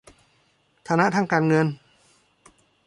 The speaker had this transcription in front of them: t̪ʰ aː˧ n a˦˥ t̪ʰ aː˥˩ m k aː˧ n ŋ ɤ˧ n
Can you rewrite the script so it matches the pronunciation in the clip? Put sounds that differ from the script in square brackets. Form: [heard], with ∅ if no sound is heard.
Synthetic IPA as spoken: t̪ʰ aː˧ n a˦˥ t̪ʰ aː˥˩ [ŋ] k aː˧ n ŋ ɤ˧ n